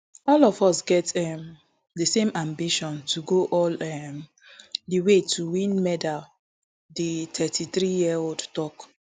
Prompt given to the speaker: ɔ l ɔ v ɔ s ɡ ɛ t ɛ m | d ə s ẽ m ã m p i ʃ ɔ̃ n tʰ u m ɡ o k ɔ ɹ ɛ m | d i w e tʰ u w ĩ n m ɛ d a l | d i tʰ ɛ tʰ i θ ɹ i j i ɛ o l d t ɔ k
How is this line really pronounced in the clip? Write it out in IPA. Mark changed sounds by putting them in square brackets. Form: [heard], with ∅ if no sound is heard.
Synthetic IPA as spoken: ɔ l ɔ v ɔ s ɡ ɛ t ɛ m | d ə s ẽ m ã m [b] i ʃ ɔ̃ n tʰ u [∅] ɡ o [ʔ] ɔ [l] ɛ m | d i w e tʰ u w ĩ n m ɛ d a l | d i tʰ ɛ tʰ i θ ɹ i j i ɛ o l d t ɔ k